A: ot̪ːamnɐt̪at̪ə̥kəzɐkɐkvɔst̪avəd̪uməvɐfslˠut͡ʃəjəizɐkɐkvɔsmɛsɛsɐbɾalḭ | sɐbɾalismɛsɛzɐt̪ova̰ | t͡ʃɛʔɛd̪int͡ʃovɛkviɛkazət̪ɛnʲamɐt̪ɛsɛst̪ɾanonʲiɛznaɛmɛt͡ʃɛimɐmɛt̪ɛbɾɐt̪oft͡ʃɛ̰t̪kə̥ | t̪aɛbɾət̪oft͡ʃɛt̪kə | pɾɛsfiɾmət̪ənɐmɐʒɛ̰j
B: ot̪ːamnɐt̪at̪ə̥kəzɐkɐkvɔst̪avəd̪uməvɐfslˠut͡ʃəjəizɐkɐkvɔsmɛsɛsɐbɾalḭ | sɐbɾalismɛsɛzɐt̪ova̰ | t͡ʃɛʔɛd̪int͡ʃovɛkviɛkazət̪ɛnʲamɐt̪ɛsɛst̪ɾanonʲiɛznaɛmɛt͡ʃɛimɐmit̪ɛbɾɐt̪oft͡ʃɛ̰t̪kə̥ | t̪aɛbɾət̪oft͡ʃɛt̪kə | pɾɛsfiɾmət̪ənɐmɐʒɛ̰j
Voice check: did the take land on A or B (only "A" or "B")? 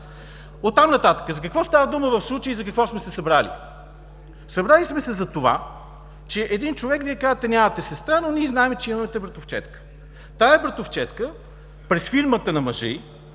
A